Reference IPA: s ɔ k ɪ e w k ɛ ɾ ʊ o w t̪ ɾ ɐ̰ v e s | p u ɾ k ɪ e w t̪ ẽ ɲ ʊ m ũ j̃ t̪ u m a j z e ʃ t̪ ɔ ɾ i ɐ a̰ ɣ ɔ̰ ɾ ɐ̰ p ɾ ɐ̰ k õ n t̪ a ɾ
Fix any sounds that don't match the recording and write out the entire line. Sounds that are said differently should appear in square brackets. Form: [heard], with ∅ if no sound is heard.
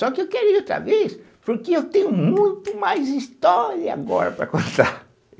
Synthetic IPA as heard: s ɔ k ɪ e w k ɛ ɾ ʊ o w t̪ ɾ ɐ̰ v e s | p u ɾ k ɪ e w t̪ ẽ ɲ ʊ m ũ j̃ t̪ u m a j z [i] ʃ t̪ ɔ ɾ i ɐ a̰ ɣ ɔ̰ ɾ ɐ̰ p ɾ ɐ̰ k õ n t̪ a ɾ